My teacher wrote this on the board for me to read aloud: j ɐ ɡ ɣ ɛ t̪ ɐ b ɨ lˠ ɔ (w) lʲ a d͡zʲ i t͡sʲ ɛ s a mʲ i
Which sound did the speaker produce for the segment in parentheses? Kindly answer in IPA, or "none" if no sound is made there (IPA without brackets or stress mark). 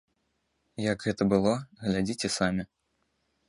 ɣ